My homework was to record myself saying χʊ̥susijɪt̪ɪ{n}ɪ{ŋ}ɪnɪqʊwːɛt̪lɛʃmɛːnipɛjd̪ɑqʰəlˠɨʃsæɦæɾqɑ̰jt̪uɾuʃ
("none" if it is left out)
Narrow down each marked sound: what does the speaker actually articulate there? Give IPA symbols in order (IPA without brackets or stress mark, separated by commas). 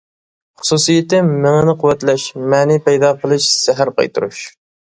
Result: m, ŋ